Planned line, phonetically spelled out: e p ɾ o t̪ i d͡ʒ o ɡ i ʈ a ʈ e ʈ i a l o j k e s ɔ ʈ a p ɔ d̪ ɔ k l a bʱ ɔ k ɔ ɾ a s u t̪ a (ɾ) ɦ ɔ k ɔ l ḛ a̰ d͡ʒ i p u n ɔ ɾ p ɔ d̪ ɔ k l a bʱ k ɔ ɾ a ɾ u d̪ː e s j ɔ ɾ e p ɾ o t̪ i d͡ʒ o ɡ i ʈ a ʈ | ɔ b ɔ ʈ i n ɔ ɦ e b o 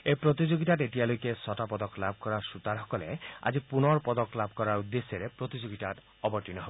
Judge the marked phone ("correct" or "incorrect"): correct